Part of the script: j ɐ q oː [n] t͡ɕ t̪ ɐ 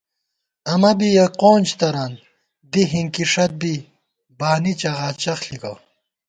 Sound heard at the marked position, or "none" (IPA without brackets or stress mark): n